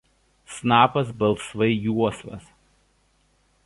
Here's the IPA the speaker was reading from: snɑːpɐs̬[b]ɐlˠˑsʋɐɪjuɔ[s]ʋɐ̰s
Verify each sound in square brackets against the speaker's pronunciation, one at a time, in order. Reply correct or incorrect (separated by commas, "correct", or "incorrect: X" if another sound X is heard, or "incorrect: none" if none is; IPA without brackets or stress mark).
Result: correct, correct